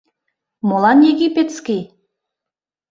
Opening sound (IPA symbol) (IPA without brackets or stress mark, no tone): m